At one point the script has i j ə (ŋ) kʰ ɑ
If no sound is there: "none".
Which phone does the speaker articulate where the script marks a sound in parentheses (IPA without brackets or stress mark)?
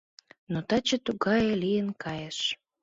n